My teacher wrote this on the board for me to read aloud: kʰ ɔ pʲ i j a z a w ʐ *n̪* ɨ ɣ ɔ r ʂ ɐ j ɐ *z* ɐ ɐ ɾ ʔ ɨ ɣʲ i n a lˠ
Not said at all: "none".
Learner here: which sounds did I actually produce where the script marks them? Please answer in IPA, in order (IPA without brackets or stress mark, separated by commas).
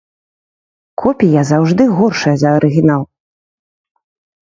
d̪, z